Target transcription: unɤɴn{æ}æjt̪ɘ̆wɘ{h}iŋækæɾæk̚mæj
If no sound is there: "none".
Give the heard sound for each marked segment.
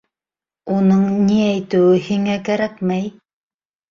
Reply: i, h

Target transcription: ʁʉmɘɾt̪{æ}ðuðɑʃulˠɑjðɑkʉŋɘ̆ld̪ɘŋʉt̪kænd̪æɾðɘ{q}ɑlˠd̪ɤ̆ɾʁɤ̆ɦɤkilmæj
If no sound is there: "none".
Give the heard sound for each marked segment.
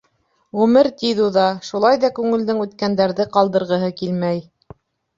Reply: i, q

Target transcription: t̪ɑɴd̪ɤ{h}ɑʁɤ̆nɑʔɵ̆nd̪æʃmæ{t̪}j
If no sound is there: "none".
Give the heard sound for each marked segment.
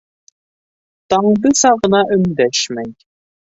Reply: s, none

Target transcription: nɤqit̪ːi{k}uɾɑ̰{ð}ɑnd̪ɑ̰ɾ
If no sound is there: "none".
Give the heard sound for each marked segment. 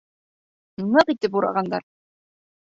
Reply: p, ʁ

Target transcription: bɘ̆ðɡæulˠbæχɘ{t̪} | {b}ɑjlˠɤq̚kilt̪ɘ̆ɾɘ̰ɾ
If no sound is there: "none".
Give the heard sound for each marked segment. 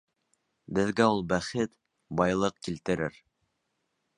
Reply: t̪, b

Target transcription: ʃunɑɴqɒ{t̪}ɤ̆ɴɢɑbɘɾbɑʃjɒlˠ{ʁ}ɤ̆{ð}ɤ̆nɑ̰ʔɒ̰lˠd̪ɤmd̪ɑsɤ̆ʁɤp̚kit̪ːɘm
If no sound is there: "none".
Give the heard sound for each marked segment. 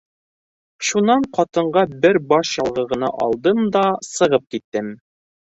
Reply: t̪, ʁ, ʁ

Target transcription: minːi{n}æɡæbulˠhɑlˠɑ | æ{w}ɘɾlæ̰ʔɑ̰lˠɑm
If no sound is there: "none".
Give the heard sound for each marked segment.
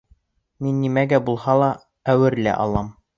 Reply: m, w

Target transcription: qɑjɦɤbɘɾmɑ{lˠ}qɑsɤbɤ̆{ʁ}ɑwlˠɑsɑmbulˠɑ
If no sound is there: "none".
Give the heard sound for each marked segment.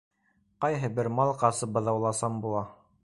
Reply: lˠ, ð

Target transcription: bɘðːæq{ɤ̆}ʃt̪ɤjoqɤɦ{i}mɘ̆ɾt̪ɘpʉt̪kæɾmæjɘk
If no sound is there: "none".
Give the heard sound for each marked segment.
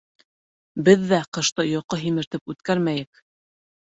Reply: ɤ̆, i

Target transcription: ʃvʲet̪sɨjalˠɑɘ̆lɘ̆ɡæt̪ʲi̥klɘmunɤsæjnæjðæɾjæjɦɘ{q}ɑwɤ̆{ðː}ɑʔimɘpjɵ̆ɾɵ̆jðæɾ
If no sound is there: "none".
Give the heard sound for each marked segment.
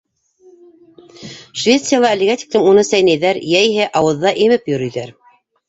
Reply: ʔ, ðː

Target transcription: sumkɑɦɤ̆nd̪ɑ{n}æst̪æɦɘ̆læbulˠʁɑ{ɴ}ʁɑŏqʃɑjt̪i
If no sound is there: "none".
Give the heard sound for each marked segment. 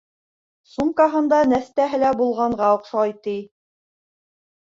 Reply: n, ɴ

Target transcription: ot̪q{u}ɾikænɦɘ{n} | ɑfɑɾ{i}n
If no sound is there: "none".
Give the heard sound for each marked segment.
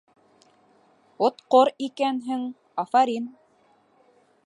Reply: o, ŋ, i

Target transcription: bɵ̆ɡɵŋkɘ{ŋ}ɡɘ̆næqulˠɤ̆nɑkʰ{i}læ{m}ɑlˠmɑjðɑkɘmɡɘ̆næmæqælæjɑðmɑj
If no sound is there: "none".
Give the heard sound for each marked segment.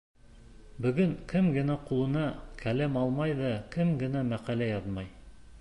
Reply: m, æ, m

